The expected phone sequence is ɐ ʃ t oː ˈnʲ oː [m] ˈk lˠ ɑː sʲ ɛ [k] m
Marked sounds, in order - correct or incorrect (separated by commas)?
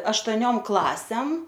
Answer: correct, incorrect